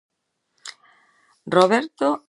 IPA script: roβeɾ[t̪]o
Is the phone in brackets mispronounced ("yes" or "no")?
no